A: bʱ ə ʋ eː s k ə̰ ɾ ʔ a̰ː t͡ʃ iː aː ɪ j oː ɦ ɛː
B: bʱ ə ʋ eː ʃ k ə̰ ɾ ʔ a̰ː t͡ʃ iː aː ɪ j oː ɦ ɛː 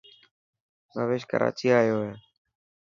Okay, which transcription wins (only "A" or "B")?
B